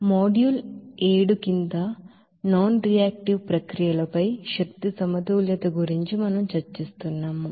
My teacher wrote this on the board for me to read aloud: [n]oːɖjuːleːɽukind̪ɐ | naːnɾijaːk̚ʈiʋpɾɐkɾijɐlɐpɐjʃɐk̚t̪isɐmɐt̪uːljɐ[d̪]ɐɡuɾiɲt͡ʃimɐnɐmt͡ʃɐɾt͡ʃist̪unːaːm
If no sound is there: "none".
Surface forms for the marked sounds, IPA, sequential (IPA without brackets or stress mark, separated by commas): m, t̪